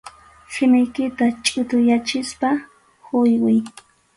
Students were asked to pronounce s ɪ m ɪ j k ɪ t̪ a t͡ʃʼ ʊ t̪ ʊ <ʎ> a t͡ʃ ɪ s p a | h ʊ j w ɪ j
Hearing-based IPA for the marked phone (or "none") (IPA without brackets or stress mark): j